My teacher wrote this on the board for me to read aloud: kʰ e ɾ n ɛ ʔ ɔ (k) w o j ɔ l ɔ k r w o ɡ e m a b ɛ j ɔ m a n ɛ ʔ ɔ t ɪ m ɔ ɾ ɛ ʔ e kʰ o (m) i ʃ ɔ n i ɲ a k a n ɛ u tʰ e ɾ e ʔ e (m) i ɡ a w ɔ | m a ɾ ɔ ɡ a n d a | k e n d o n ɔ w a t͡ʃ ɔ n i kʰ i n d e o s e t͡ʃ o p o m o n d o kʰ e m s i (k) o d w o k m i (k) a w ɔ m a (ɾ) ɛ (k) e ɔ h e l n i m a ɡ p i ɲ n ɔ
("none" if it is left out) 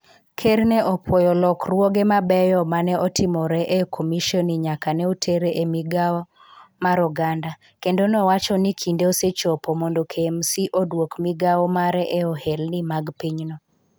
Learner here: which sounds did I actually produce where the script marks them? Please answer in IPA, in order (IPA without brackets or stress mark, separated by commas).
p, m, m, ʔ, ɡ, ɾ, ʔ